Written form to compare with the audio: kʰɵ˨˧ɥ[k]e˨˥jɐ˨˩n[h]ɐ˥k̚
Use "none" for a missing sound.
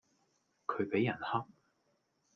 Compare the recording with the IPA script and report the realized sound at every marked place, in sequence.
p, h

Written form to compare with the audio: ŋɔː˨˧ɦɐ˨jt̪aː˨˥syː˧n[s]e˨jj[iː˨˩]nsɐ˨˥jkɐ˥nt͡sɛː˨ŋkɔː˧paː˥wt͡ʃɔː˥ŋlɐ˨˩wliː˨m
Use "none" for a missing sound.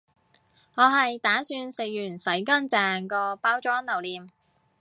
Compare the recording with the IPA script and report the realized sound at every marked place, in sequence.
s, yː˨˩

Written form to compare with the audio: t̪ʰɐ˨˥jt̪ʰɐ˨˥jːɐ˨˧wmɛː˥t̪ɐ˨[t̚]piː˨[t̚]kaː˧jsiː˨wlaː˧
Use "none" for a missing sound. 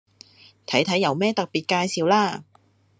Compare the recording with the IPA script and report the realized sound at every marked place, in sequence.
k̚, t̚

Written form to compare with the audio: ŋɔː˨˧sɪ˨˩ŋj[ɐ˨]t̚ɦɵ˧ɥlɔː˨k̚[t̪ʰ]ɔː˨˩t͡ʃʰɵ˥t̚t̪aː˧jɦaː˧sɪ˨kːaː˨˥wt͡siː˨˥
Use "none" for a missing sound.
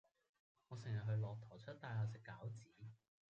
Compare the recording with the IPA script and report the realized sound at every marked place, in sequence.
ɐ˨, t̪ʰ

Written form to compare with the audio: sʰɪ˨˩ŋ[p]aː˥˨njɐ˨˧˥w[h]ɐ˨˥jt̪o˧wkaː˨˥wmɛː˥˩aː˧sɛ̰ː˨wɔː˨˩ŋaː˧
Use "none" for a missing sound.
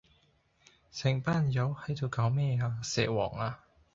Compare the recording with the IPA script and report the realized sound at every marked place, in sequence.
p, h

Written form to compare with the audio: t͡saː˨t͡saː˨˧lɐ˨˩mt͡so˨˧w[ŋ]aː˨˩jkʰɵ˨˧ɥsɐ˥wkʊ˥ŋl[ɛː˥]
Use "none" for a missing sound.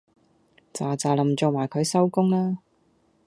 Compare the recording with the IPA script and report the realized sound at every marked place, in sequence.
m, aː˥

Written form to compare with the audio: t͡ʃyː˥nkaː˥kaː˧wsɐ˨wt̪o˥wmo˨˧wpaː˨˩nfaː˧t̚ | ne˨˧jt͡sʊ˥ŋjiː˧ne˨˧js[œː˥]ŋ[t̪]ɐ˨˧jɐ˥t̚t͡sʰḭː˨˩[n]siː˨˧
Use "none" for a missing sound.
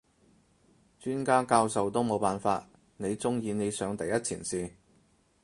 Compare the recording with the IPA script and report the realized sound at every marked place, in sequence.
œː˨˧, t̪, n

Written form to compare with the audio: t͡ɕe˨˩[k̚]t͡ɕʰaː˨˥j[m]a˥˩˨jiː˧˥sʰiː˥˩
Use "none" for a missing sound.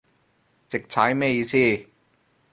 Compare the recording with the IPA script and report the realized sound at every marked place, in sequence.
k̚, m

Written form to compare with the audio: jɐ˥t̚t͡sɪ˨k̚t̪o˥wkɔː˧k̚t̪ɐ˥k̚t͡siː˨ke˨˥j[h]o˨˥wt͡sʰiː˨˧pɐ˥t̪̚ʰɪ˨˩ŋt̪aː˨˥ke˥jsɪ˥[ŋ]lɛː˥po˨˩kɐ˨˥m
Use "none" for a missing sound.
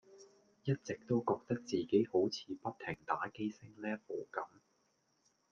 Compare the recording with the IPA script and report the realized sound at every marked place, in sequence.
h, ŋ

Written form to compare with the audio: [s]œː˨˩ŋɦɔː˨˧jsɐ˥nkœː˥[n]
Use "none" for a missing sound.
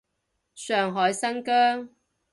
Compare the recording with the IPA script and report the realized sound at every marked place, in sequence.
s, ŋ

